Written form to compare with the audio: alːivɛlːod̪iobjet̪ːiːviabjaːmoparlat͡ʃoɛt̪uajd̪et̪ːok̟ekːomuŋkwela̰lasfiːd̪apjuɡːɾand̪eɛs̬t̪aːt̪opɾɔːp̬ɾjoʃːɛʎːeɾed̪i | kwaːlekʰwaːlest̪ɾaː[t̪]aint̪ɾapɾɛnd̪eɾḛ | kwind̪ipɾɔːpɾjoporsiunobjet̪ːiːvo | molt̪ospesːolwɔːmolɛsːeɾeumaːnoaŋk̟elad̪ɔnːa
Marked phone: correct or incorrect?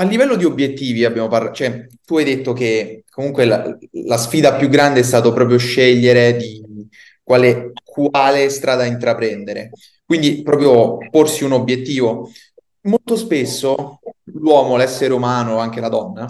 incorrect